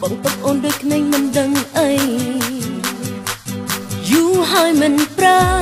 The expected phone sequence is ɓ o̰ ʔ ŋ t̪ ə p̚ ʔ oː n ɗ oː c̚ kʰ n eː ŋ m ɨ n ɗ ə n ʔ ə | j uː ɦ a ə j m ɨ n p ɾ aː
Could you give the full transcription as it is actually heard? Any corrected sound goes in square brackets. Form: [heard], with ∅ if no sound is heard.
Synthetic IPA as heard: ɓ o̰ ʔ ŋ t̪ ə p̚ ʔ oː n ɗ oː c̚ kʰ n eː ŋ m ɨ n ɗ ə [ŋ] ʔ ə | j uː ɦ a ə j m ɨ n p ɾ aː

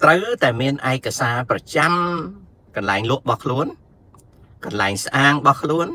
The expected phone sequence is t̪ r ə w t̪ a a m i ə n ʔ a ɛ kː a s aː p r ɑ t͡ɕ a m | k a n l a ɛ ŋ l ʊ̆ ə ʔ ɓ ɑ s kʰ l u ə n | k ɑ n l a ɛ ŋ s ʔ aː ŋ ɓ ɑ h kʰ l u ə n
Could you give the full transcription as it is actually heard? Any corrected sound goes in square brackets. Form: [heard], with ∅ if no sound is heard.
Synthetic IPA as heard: t̪ r ə w t̪ a [ɛ] m i ə n ʔ a ɛ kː a s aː p r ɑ t͡ɕ a m | k [ɑ] n l a ɛ ŋ l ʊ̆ ə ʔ ɓ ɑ [h] kʰ l u ə n | k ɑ n l a ɛ ŋ s ʔ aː ŋ ɓ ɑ h kʰ l u ə n

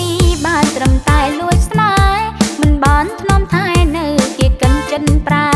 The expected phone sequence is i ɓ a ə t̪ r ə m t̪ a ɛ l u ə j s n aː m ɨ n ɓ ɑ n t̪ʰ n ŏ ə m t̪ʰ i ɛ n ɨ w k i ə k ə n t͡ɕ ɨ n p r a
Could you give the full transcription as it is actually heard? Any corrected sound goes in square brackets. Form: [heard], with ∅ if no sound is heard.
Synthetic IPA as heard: i ɓ a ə t̪ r ə m t̪ a ɛ l u ə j s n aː m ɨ n ɓ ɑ n t̪ʰ n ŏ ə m t̪ʰ [a] ɛ n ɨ w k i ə k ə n t͡ɕ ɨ n p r a

